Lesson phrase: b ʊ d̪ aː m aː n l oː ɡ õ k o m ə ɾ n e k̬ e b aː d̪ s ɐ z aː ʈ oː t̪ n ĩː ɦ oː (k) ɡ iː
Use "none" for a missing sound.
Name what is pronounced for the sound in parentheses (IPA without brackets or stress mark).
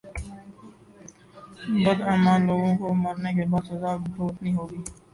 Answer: none